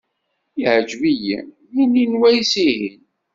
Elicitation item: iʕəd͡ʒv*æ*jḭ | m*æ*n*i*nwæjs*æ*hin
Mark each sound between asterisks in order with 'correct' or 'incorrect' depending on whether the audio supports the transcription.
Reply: incorrect, incorrect, correct, incorrect

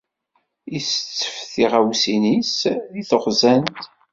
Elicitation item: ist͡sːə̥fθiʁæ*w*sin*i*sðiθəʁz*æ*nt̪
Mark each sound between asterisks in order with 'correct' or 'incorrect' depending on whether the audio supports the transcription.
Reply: correct, correct, correct

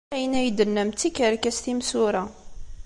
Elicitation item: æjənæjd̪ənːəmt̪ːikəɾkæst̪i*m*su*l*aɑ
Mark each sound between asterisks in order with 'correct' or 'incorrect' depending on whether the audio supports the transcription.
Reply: correct, incorrect

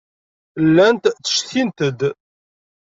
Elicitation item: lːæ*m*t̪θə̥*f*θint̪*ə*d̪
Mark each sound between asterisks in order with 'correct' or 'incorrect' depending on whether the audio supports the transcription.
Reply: incorrect, incorrect, correct

